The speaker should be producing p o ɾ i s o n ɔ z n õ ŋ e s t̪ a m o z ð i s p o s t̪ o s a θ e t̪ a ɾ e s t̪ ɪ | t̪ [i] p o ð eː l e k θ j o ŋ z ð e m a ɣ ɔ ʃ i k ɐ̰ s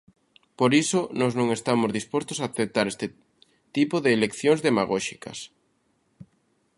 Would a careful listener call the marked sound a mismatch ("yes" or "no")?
no